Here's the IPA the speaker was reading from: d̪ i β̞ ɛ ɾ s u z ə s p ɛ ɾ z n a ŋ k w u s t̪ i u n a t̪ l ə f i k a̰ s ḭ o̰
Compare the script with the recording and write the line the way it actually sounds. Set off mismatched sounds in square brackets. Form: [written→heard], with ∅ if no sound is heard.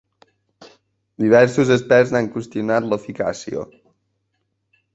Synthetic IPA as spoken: d̪ i β̞ ɛ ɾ s u z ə s p ɛ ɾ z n a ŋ k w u s t̪ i u n a t̪ l ə f i k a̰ s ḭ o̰